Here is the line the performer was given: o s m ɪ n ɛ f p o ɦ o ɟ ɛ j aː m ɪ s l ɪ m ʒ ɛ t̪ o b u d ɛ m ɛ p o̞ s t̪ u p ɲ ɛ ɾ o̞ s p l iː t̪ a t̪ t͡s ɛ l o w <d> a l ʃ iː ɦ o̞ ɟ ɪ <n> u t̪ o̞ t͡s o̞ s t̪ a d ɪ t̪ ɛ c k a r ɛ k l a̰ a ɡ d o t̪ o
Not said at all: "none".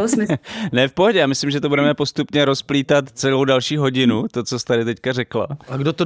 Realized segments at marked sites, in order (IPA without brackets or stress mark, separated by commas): d, n